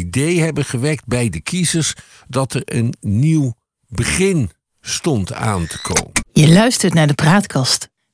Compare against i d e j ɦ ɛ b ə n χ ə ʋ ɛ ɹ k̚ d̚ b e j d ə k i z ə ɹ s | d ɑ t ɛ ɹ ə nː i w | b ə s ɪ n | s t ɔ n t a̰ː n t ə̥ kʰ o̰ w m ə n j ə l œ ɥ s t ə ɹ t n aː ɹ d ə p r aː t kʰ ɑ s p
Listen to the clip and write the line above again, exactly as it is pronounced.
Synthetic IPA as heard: i d e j ɦ ɛ b ə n χ ə ʋ ɛ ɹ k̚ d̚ b ɛ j d ə k i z ə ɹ s | d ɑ t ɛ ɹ ə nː i w | b ə χ ɪ n | s t ɔ n t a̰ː n t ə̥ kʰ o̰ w m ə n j ə l œ ɥ s t ə ɹ t n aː ɹ d ə p r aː t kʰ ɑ s t